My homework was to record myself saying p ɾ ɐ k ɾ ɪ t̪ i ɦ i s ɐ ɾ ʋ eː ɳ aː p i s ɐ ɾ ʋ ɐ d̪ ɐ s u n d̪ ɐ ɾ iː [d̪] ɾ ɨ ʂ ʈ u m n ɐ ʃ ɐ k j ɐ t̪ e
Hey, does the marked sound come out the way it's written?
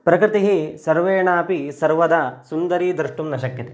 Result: yes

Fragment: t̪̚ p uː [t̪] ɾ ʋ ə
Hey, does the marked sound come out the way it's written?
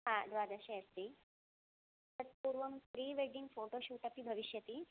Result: no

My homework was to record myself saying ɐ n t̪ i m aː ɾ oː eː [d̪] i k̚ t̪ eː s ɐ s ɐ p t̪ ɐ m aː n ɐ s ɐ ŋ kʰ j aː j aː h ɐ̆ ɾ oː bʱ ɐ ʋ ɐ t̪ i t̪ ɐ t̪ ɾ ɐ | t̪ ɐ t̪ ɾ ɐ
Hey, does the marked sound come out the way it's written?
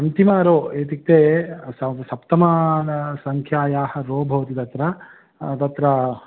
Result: no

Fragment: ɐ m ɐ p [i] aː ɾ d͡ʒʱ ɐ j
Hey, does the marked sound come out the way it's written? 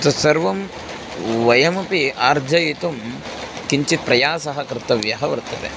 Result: yes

